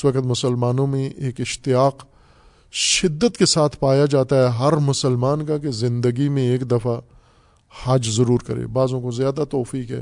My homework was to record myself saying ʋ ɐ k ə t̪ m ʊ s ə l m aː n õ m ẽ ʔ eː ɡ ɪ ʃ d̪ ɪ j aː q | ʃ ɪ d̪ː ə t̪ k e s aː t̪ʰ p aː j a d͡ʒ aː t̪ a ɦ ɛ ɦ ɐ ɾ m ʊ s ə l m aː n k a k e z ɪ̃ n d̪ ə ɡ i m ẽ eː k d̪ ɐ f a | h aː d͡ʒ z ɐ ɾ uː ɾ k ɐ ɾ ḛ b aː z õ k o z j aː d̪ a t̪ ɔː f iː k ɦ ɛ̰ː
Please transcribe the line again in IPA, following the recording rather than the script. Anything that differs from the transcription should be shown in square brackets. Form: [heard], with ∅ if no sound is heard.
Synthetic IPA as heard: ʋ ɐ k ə t̪ m ʊ s ə l m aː n õ m ẽ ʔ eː [k] ɪ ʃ [t̪] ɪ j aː q | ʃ ɪ d̪ː ə t̪ k e s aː t̪ʰ p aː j a d͡ʒ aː t̪ a ɦ ɛ ɦ ɐ ɾ m ʊ s ə l m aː n k a k e z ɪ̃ n d̪ ə ɡ i m ẽ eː k d̪ ɐ f a | h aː d͡ʒ z ɐ ɾ uː ɾ k ɐ ɾ ḛ b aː z õ k o z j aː d̪ a t̪ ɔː f iː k ɦ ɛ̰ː